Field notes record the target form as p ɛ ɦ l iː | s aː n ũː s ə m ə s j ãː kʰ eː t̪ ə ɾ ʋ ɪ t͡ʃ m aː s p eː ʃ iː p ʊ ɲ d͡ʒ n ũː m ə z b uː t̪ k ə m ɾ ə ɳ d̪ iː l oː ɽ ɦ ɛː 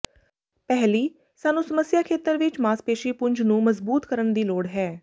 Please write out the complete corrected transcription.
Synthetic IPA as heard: p ɛ ɦ l iː | s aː n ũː s ə m ə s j aː kʰ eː t̪ ə ɾ ʋ ɪ t͡ʃ m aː s p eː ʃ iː p ʊ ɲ d͡ʒ n ũː m ə z b uː t̪ k ə ɾ ə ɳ d̪ iː l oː ɽ ɦ ɛː